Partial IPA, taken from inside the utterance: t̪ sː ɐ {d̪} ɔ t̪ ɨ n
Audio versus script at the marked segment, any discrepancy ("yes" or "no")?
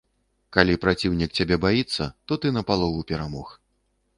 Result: yes